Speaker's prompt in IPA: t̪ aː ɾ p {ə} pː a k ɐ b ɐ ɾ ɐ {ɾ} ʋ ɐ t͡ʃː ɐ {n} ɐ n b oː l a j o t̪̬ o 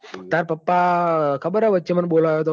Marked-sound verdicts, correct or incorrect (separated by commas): incorrect, incorrect, incorrect